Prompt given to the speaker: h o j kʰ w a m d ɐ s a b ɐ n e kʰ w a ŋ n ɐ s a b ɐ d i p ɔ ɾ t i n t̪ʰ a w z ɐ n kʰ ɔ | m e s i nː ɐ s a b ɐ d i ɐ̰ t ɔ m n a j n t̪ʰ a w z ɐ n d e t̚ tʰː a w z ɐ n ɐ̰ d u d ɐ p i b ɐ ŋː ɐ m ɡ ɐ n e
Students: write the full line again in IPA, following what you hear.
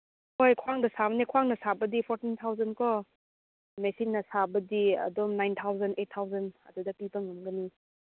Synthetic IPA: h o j kʰ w a ŋ d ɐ s a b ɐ n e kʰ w a ŋ n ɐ s a b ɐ d i pʰ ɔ ɾ t i n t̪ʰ a w z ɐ n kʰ ɔ | m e s i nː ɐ s a b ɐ d i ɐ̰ d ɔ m n a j n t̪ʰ a w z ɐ n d e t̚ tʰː a w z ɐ n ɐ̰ d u d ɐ p i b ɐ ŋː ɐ m ɡ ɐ n i

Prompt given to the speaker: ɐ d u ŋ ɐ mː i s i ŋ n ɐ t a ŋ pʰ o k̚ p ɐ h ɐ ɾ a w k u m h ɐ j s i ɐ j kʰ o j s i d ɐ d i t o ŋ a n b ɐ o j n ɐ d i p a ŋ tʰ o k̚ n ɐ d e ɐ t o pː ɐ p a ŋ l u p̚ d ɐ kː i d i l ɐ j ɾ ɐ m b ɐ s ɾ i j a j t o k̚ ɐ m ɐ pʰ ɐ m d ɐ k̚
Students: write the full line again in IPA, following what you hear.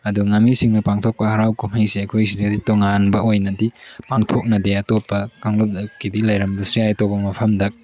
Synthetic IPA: ɐ d u ŋ ɐ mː i s i ŋ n ɐ p a ŋ tʰ o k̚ p ɐ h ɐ ɾ a w k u m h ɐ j s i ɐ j kʰ o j s i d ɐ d i t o ŋ a n b ɐ o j n ɐ d i p a ŋ tʰ o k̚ n ɐ d e ɐ t o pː ɐ k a ŋ l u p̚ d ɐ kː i d i l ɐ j ɾ ɐ m b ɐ s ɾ i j a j t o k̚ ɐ m ɐ pʰ ɐ m d ɐ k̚

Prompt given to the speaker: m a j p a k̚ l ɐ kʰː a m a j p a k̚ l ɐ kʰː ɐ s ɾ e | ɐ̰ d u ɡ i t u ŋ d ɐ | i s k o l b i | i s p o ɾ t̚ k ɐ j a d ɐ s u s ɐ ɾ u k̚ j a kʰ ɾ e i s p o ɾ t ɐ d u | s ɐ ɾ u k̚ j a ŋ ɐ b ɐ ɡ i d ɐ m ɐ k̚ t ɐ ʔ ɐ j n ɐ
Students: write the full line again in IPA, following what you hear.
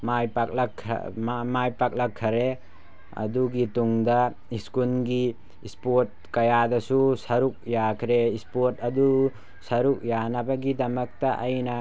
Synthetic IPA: m a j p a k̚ l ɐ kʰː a m a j p a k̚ l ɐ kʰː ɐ ɾ e | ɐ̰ d u ɡ i t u ŋ d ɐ | i s k u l ɡ i | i s p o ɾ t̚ k ɐ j a d ɐ s u s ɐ ɾ u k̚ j a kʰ ɾ e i s p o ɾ t ɐ d u | s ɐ ɾ u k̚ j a n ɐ b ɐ ɡ i d ɐ m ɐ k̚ t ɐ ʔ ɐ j n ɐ

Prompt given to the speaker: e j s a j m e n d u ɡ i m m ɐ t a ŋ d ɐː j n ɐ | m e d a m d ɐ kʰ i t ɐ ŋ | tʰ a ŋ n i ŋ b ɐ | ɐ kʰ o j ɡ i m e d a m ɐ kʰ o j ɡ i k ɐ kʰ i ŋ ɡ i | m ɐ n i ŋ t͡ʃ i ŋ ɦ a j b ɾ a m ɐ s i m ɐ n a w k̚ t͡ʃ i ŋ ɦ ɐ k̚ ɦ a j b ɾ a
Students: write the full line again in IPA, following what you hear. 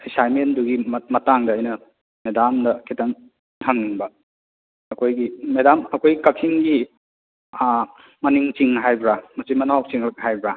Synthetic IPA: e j s a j m e n d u ɡ i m m ɐ t a ŋ d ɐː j n ɐ | m e d a m d ɐ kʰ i t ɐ ŋ | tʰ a ŋ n i ŋ b ɐ | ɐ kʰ o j ɡ i m e d a m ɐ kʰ o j ɡ i k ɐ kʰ i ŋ ɡ i | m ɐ n i ŋ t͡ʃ i ŋ ɦ a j b ɾ a m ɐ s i m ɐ n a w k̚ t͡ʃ i ŋ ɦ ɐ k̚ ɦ a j b ɾ a

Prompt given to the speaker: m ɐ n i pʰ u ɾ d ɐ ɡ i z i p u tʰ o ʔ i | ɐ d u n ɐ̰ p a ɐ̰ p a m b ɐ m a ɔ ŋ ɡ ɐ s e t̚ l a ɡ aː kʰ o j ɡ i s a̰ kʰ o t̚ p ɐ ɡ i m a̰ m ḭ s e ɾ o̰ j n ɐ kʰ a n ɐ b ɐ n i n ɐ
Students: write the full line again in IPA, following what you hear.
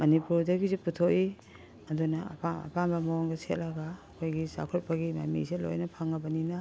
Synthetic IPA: m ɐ n i p u ɾ d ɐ ɡ i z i p u tʰ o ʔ i | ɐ d u n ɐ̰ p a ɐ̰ p a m b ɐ m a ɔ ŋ ɡ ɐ s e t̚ l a ɡ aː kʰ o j ɡ i s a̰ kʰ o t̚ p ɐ ɡ i m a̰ m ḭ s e l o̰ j n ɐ pʰ a ŋ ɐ b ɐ n i n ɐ

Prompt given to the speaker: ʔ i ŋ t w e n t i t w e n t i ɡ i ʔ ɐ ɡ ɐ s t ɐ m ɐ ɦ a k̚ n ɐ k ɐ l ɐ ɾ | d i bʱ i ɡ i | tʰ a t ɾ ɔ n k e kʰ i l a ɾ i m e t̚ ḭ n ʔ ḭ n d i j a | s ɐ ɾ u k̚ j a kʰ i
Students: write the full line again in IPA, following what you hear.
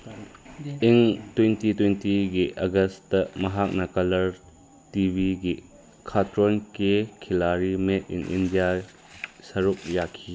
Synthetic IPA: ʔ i ŋ t w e n t i t w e n t i ɡ i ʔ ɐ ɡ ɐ s t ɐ m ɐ ɦ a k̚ n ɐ k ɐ l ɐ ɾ | t i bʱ i ɡ i | kʰ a t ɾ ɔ n k e kʰ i l a ɾ i m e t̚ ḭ n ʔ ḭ n d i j a | s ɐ ɾ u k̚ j a kʰ i

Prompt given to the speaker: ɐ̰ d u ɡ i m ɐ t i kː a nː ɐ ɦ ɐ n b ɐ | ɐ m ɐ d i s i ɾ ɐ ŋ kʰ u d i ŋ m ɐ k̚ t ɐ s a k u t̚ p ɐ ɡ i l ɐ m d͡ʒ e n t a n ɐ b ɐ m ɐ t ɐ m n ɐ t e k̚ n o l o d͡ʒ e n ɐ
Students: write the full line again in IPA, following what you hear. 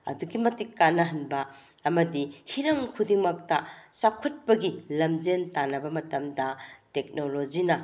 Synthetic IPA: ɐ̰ d u ɡ i m ɐ t i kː a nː ɐ ɦ ɐ n b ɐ | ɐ m ɐ d i h i ɾ ɐ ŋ kʰ u d i ŋ m ɐ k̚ t ɐ s a kʰ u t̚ p ɐ ɡ i l ɐ m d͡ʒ e n t a n ɐ b ɐ m ɐ t ɐ m d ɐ t e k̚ n o l o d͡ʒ i n ɐ

